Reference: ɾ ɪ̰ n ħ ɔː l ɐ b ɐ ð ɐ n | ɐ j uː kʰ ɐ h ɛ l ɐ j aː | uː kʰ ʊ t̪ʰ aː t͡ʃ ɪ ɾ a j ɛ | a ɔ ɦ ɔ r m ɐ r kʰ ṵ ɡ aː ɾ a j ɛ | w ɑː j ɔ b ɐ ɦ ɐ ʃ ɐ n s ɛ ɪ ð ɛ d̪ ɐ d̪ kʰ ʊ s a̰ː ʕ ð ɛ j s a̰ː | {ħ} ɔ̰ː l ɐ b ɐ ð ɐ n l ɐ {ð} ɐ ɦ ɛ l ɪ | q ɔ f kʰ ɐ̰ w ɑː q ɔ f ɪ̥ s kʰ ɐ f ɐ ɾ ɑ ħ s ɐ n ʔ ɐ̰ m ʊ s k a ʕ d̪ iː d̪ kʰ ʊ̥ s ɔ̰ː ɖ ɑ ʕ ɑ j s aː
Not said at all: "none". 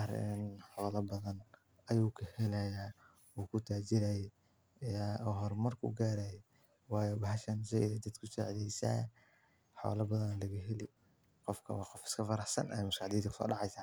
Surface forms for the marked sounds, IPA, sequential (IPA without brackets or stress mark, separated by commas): ħ, ɣ